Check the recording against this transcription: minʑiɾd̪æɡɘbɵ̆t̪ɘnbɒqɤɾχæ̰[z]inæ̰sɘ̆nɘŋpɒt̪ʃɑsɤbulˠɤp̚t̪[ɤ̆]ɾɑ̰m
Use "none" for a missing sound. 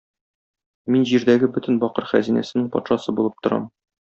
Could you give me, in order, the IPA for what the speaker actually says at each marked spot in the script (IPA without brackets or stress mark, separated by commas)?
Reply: z, ŏ